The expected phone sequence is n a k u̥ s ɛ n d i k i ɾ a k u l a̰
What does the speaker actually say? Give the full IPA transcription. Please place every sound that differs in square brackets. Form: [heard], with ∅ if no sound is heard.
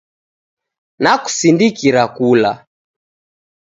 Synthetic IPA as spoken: n a k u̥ s [i] n d i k i ɾ a k u l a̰